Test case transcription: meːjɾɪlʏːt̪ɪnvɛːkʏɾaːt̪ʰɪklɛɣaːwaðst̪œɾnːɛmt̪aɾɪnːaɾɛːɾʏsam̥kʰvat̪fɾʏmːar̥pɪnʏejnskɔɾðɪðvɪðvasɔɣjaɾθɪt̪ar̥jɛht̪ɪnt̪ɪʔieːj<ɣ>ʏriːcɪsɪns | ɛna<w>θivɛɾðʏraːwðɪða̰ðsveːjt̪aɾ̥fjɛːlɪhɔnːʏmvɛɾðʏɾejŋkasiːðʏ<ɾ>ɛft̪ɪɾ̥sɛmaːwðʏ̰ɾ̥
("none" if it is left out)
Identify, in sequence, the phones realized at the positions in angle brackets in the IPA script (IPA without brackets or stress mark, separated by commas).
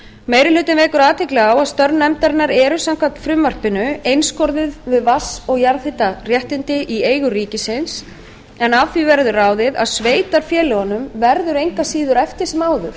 ɣ, v, ɾ